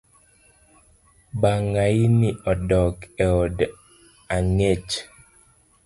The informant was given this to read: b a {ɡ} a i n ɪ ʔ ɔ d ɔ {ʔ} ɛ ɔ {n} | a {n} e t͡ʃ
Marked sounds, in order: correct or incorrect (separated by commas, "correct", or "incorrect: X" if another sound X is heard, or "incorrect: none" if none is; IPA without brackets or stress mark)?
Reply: incorrect: ŋ, incorrect: k, incorrect: d, incorrect: ŋ